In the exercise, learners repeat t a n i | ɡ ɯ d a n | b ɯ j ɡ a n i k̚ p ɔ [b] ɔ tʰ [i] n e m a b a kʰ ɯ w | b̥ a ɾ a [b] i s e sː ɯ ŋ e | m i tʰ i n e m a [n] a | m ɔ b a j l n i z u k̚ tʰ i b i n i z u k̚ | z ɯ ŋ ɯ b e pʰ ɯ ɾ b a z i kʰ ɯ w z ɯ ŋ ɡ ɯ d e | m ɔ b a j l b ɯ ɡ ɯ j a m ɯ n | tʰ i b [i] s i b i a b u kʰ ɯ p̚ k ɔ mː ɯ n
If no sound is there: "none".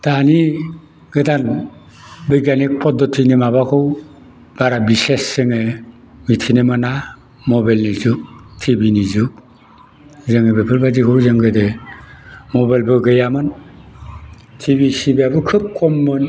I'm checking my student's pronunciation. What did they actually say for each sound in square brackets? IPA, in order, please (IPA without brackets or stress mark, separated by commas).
d, i, b, n, i